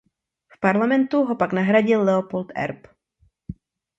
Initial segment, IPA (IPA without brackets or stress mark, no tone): f